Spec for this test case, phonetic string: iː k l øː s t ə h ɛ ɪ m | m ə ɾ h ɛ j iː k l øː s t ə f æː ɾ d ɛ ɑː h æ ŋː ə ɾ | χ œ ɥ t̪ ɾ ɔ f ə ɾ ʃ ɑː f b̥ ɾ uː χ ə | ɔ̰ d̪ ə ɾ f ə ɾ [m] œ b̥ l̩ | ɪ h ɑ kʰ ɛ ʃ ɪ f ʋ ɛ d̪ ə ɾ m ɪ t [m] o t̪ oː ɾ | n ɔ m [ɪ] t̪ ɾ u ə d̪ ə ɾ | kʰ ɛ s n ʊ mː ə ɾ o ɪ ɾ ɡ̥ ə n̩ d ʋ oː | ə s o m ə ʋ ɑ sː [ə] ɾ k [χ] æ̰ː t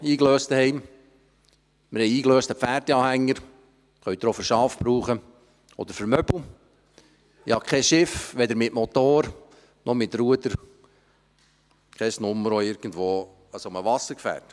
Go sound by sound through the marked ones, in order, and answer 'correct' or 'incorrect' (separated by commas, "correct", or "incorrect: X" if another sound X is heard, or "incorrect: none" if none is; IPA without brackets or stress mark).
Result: correct, correct, correct, correct, incorrect: f